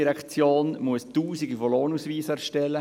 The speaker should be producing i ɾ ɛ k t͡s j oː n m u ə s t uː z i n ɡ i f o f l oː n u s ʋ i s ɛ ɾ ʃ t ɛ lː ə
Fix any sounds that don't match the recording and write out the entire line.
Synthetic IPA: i ɾ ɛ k t͡s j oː n m u ə s t uː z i ɡ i f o l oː n u s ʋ iː s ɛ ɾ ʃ t ɛ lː ə